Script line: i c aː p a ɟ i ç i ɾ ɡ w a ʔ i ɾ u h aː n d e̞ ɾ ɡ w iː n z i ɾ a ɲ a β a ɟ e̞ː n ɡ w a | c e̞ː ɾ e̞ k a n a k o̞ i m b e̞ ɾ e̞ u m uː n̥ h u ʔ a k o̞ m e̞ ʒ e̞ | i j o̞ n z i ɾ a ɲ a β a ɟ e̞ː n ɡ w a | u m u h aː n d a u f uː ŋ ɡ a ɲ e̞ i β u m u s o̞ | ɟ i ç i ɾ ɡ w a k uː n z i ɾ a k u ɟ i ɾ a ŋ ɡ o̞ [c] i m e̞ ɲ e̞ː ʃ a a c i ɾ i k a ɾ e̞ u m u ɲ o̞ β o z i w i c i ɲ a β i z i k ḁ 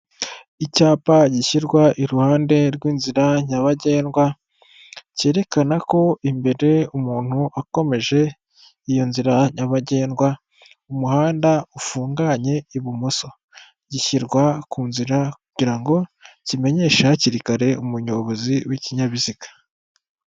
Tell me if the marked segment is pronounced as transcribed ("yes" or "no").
yes